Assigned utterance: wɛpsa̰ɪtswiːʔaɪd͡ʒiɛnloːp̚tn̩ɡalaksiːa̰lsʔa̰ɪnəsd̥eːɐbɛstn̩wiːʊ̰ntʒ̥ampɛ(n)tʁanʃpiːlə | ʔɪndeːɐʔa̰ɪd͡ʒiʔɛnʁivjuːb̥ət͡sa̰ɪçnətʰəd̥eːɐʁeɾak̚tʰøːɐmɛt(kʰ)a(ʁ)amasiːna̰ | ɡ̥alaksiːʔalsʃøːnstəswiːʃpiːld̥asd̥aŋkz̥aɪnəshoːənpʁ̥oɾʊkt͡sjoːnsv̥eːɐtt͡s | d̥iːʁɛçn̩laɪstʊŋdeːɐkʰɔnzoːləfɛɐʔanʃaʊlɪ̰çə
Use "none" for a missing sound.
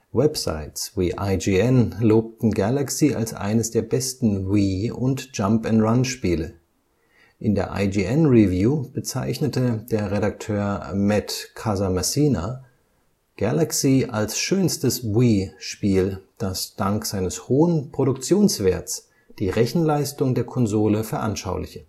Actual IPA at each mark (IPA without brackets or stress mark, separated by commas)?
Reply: n, kʰ, z